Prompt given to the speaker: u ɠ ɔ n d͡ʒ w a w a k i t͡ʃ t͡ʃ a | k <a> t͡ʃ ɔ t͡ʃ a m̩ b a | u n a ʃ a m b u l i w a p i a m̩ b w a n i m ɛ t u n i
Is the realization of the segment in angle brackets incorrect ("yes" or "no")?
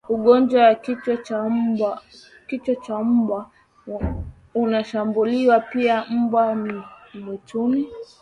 yes